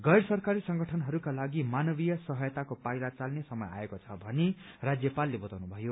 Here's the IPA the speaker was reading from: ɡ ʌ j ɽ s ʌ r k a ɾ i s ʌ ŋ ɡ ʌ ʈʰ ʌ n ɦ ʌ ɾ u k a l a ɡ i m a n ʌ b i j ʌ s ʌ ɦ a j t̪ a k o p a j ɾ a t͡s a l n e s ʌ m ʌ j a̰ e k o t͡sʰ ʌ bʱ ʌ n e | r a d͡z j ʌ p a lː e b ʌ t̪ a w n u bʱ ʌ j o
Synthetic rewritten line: ɡ ʌ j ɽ s ʌ r k a ɾ i s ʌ ŋ ɡ ʌ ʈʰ ʌ n ɦ ʌ ɾ u k a l a ɡ i m a n ʌ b i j ʌ s ʌ ɦ ʌ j t̪ a k o p a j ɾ a t͡s a l n e s ʌ m ʌ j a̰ e k o t͡sʰ ʌ bʱ ʌ n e | r a d͡z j ʌ p a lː e b ʌ t̪ a w n u bʱ ʌ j o